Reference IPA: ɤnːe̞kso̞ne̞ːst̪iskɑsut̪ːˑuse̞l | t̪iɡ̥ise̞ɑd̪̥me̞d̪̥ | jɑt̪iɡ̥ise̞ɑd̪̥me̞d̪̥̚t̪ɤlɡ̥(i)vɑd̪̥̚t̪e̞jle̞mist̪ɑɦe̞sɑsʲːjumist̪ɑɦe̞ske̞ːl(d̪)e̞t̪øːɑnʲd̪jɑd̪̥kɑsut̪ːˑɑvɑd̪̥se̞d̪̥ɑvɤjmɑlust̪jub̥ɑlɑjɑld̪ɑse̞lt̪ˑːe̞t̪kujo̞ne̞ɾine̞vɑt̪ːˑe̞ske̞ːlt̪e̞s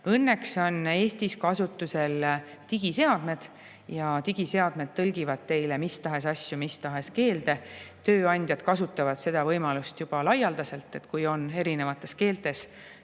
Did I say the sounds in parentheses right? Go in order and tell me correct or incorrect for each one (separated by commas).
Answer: correct, correct